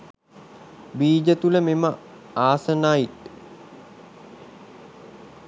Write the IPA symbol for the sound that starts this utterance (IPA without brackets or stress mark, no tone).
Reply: b